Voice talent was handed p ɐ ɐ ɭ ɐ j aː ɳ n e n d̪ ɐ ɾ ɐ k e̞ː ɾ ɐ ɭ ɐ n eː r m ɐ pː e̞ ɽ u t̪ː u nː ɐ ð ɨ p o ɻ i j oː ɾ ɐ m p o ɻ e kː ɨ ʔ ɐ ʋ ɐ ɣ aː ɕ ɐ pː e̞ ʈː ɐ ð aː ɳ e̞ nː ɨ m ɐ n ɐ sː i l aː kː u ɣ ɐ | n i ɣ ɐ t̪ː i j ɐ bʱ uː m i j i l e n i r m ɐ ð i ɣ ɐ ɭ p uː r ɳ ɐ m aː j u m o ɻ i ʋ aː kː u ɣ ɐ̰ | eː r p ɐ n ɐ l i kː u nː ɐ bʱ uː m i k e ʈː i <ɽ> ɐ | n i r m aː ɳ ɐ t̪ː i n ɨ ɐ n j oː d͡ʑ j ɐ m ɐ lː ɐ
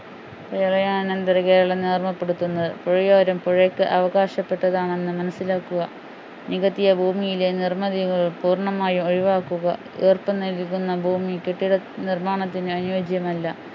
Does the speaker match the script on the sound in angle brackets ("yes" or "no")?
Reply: yes